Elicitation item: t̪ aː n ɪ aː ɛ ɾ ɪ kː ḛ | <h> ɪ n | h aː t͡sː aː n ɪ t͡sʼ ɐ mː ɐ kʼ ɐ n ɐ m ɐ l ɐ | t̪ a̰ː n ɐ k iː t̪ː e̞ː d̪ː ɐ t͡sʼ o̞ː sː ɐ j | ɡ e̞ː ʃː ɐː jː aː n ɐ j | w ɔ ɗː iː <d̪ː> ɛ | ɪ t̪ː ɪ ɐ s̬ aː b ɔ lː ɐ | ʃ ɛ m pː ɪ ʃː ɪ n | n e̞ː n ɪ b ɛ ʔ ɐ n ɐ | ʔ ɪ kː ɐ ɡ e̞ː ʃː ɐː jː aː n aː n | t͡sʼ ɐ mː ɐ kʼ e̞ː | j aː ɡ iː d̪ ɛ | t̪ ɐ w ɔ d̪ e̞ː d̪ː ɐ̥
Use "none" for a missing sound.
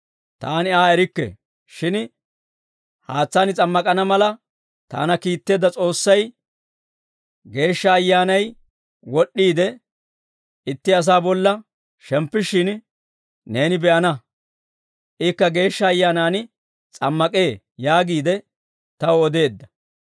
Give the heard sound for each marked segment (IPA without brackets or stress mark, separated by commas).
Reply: ʃ, d̪